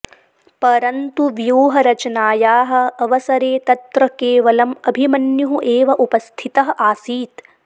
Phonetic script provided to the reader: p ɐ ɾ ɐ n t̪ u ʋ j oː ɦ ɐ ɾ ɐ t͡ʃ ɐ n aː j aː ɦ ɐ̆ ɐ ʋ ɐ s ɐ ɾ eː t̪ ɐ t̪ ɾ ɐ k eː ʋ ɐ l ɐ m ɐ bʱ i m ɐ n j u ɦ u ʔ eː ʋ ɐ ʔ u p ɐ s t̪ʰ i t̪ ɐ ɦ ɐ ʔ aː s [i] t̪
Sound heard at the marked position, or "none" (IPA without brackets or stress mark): iː